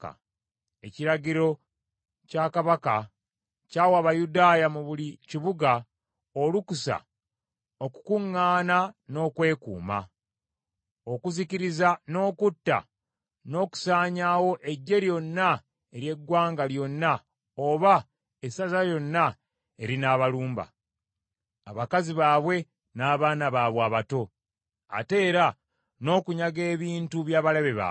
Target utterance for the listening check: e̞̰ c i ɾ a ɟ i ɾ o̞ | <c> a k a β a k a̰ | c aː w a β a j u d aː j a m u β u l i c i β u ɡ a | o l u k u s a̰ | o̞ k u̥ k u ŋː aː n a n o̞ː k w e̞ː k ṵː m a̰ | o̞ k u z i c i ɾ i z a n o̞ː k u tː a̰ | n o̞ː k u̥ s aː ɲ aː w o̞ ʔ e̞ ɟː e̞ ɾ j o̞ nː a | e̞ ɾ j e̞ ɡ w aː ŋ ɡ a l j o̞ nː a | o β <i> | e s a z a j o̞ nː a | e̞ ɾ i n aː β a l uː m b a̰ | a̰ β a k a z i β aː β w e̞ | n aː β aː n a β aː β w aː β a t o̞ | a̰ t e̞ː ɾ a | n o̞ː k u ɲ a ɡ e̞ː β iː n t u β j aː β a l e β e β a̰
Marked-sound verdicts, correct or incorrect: correct, incorrect: a

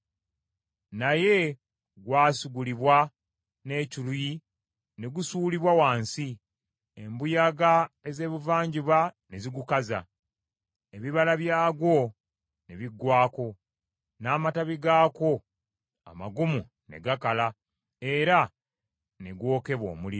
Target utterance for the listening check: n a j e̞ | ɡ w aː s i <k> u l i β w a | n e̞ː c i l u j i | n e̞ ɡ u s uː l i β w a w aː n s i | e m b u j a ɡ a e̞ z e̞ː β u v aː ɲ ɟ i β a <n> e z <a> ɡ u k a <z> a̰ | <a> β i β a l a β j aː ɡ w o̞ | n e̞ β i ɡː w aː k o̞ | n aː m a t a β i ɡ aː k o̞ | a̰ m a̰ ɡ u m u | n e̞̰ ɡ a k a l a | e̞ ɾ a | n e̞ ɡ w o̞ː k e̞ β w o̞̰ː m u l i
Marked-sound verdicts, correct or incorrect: incorrect: ɡ, correct, incorrect: i, correct, incorrect: e

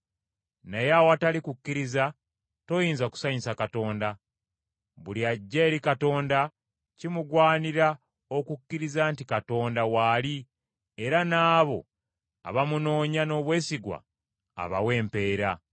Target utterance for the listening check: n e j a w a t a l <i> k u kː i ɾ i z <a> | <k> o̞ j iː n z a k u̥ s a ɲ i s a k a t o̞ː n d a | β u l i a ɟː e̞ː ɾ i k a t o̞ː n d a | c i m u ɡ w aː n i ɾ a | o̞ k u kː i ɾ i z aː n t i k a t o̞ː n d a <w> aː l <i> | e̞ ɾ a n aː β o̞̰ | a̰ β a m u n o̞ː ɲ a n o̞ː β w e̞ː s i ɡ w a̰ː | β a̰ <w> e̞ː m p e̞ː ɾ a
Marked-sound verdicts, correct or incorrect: correct, correct, incorrect: t, correct, correct, correct

